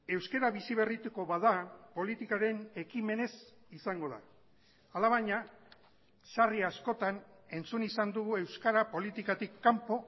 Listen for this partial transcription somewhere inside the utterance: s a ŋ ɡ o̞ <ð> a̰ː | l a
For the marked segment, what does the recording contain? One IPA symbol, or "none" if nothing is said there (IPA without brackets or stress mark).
ð